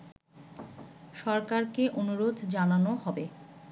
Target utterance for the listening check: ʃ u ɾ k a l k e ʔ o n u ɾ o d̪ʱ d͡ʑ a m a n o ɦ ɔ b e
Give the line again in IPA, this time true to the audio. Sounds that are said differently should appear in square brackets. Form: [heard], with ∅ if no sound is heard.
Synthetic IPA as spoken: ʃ [ɔ] ɾ k a [ɾ] k e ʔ o n u ɾ o d̪ʱ d͡ʑ a [n] a n o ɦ ɔ b e